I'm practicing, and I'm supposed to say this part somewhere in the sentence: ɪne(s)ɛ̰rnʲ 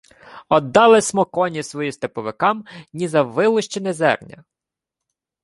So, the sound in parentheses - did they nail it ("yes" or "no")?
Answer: no